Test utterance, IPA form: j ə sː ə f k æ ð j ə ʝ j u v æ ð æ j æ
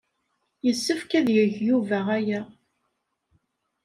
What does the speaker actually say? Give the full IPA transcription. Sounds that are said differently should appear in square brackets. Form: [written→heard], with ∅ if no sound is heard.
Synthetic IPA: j ə sː ə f k æ ð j ə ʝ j u v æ [ð→ʁ] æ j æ